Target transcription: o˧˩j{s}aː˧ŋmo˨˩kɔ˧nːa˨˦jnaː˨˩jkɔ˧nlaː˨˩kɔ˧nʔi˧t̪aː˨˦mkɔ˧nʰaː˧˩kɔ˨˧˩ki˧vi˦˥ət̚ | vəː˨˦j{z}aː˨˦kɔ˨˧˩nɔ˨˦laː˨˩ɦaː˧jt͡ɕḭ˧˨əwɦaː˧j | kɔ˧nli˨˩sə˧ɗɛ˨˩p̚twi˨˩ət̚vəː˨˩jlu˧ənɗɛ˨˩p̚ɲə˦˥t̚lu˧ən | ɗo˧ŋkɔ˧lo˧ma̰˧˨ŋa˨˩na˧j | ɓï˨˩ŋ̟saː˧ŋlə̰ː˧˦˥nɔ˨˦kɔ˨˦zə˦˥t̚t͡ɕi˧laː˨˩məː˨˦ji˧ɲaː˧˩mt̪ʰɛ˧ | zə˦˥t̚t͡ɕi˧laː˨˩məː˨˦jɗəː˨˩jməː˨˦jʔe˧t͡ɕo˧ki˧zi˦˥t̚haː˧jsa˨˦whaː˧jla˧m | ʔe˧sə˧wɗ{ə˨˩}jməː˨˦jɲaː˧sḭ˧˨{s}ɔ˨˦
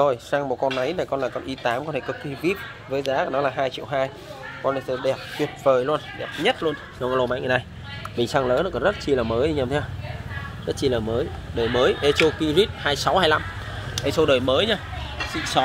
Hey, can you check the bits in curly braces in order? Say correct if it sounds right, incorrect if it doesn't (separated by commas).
correct, correct, incorrect, correct